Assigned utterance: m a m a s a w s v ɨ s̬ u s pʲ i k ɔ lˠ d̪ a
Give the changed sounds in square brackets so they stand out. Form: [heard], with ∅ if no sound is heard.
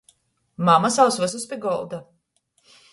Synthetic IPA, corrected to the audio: m a m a s a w s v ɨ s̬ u s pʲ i [ɡ] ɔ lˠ d̪ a